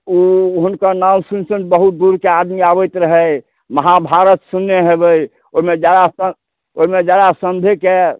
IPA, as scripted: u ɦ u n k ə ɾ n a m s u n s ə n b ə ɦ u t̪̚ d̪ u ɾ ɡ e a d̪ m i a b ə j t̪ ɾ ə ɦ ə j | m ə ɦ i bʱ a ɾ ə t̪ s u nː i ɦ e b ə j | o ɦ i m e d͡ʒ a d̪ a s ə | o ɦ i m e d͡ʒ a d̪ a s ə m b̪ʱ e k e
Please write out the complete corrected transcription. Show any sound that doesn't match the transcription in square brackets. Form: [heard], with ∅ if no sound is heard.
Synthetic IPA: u ɦ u n k ə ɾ n a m s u n s ə n b ə ɦ u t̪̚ d̪ u ɾ [k] e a d̪ m i a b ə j t̪ ɾ ə ɦ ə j | m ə ɦ [a] bʱ a ɾ ə t̪ s u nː [e] ɦ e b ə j | o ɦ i m e d͡ʒ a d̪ a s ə | o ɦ i m e d͡ʒ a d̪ a s ə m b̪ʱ e k e